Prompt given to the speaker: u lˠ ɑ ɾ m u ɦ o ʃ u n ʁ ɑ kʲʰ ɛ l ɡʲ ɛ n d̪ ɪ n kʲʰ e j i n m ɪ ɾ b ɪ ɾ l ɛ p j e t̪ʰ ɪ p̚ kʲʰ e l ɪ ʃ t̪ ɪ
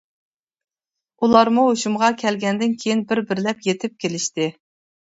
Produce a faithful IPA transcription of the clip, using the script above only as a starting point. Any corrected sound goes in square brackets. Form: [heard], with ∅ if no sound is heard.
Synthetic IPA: u lˠ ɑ ɾ m u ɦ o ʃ u [m] ʁ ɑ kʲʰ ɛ l ɡʲ ɛ n d̪ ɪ n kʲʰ e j i n [b] ɪ ɾ b ɪ ɾ l ɛ p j e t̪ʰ ɪ p̚ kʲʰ e l ɪ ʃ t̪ ɪ